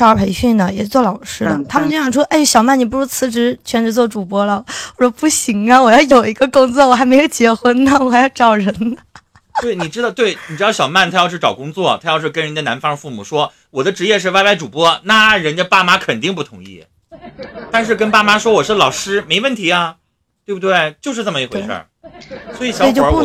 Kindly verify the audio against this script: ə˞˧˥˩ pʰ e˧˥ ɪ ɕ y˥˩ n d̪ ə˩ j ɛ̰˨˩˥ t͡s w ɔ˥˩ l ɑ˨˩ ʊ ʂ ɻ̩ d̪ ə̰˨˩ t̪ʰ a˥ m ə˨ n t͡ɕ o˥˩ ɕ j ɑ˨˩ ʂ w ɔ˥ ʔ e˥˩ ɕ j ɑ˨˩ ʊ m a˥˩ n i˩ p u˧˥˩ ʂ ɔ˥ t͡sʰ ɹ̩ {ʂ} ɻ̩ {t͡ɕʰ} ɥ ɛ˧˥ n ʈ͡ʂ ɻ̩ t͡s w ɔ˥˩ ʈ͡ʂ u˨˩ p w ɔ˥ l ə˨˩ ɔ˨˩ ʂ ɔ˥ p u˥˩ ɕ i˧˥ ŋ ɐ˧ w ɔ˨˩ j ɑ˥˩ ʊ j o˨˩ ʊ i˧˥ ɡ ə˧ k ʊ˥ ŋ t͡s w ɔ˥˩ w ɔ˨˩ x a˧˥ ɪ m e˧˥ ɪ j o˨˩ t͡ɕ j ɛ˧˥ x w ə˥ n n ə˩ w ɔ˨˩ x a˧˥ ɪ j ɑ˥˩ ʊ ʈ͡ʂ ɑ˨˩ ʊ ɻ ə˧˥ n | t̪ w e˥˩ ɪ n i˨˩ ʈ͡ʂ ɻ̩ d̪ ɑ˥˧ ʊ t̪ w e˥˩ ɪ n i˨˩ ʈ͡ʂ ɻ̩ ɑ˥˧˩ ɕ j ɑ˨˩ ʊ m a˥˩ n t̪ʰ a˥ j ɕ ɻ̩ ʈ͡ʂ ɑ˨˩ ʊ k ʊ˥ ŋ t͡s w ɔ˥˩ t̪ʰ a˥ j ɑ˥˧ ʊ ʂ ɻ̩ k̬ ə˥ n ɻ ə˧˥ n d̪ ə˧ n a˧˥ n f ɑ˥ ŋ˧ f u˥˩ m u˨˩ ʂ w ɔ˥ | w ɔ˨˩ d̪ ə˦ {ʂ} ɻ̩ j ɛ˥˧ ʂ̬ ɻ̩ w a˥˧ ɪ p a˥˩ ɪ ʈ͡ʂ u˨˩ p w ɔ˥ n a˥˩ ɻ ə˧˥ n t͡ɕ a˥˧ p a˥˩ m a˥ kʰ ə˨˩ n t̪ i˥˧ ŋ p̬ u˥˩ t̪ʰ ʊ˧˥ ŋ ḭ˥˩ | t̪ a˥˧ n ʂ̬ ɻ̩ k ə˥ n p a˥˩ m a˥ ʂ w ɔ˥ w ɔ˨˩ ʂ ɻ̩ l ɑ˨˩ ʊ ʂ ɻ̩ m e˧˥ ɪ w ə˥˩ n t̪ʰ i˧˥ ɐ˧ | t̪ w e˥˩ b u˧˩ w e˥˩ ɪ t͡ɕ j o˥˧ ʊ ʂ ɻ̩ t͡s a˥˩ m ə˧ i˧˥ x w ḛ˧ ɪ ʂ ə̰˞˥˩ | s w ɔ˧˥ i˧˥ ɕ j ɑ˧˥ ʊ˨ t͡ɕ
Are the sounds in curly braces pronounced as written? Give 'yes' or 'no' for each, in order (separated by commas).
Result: no, yes, no